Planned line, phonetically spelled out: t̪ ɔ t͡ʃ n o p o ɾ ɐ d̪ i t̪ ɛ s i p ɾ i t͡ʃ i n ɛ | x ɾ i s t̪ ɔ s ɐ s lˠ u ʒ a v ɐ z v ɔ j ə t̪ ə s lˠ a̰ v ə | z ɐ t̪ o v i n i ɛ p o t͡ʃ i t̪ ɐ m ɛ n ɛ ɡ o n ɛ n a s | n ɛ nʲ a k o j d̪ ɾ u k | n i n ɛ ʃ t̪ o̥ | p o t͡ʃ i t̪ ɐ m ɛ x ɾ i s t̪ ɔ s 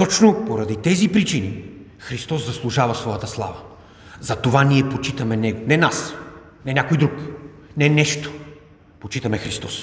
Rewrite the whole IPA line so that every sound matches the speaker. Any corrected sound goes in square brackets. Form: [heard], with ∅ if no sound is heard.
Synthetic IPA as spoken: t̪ ɔ t͡ʃ n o p o ɾ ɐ d̪ i t̪ ɛ [z] i p ɾ i t͡ʃ i n [i] | x ɾ i s t̪ ɔ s ɐ s lˠ u ʒ a v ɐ [s] v ɔ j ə t̪ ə s lˠ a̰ v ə | z ɐ t̪ o v [a] n i ɛ p o t͡ʃ i t̪ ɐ m ɛ n ɛ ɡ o n ɛ n a s | n ɛ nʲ a k o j d̪ ɾ u k | n [ɛ] n ɛ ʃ t̪ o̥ | p o t͡ʃ i t̪ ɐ m ɛ x ɾ i s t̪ ɔ s